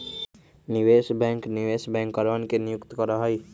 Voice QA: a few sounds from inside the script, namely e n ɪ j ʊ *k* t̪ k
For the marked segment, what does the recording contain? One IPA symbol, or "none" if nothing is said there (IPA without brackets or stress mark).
k